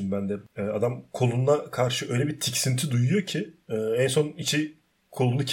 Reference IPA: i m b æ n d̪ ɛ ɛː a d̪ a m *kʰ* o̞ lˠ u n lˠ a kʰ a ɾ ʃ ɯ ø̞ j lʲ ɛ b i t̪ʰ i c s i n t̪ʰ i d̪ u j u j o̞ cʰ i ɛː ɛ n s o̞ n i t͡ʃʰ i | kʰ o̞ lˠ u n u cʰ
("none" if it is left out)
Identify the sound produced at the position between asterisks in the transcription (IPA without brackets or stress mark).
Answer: kʰ